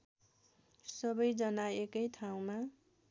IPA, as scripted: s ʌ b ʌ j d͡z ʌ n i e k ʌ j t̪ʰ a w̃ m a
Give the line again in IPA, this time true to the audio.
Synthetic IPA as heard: s ʌ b ʌ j d͡z ʌ n a e k ʌ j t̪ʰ a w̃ m a